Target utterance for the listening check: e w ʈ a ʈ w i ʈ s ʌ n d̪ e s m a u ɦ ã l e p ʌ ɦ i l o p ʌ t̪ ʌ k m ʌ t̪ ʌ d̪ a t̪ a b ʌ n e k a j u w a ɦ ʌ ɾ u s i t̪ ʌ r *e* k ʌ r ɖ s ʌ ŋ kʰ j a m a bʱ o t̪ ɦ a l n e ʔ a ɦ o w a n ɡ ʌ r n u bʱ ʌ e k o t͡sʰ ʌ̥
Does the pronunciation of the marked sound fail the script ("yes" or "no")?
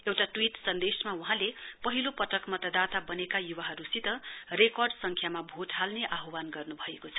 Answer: no